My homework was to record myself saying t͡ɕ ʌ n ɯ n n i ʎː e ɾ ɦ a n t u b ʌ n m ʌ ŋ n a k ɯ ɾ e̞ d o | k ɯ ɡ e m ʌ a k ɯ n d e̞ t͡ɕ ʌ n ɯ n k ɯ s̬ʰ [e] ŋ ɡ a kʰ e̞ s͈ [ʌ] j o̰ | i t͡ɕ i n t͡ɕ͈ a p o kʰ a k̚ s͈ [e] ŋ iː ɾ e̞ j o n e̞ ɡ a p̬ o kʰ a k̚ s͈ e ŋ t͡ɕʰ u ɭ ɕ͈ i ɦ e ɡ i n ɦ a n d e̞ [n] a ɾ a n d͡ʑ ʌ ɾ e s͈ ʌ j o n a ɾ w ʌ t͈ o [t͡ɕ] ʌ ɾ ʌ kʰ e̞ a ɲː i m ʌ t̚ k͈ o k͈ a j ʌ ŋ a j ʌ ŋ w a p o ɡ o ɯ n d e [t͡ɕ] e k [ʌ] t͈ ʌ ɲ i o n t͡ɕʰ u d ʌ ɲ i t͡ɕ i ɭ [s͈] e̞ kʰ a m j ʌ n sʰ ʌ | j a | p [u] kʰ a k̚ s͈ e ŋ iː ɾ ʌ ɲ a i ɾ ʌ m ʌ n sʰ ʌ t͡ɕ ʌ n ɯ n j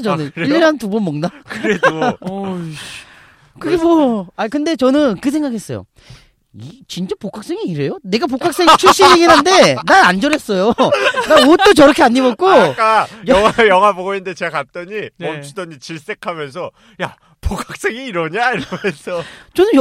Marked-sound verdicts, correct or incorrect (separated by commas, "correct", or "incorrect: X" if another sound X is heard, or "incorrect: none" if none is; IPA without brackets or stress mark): correct, correct, correct, correct, correct, correct, incorrect: a, correct, incorrect: o